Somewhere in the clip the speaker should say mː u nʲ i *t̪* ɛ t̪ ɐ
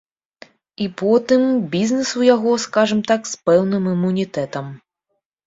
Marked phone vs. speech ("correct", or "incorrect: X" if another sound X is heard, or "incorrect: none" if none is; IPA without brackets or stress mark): correct